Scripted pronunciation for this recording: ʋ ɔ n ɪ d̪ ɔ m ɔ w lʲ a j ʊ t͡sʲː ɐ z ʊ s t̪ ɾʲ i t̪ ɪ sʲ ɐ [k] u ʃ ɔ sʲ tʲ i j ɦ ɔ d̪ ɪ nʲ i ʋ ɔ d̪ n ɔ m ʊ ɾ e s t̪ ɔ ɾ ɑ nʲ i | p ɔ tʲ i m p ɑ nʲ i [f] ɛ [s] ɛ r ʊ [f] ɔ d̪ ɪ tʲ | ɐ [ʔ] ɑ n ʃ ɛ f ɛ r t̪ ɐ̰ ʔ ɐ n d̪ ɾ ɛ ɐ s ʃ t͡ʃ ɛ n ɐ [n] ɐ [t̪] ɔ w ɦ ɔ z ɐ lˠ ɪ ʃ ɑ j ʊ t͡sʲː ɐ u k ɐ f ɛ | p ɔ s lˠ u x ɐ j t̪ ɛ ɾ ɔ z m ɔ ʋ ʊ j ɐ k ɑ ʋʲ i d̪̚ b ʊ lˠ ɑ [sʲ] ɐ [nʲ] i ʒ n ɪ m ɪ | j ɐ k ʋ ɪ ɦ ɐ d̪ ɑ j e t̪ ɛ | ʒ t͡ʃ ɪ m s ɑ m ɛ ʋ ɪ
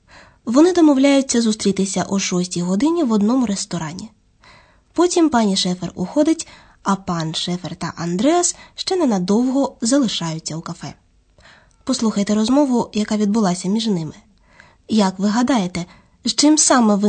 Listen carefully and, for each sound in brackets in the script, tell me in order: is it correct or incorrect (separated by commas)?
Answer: incorrect, incorrect, incorrect, incorrect, incorrect, correct, incorrect, correct, incorrect